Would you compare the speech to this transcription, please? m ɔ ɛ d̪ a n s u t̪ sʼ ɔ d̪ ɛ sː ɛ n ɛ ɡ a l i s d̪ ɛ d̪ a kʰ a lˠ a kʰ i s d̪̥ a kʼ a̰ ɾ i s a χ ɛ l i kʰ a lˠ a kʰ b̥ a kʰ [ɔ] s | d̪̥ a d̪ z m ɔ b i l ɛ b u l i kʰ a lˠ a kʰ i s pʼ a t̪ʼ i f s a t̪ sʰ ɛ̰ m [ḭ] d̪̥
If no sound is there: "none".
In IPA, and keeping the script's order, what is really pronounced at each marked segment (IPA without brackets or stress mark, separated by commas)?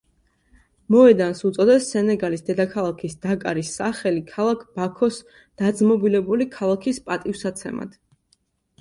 ɔ, a̰